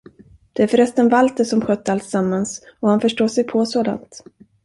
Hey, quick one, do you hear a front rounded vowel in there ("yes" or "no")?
yes